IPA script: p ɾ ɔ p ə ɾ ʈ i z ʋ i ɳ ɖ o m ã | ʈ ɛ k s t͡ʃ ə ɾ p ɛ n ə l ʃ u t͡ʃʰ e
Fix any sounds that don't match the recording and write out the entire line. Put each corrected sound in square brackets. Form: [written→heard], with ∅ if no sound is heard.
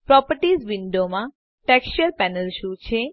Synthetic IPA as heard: p ɾ ɔ p ə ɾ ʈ i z ʋ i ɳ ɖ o m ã | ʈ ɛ k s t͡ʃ ə ɾ p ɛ n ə l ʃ u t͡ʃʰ e